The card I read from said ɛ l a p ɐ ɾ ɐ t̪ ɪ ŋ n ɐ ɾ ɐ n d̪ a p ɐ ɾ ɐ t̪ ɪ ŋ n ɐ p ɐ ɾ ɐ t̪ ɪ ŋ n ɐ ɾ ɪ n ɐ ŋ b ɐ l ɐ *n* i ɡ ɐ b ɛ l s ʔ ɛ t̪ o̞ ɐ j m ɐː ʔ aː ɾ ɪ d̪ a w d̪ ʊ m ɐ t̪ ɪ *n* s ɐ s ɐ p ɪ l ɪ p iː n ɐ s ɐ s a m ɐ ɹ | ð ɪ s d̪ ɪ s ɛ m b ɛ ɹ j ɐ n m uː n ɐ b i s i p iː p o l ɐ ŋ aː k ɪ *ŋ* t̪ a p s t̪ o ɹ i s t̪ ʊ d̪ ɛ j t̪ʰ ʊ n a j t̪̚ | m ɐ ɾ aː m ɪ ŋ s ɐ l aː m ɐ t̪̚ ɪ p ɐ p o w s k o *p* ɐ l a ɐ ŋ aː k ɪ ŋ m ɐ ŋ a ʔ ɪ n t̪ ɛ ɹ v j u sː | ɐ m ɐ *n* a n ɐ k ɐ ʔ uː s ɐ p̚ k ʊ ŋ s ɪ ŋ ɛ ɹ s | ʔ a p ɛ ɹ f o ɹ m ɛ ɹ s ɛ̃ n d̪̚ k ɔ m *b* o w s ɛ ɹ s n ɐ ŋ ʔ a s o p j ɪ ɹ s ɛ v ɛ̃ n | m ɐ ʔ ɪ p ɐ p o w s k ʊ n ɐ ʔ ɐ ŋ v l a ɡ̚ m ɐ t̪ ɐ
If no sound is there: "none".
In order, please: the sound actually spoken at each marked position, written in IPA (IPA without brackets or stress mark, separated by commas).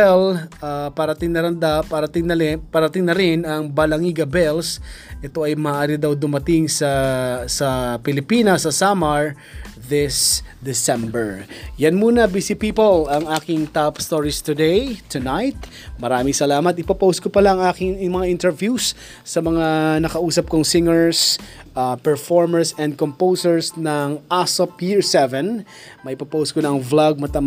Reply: ŋ, ŋ, ŋ, p, ŋ, p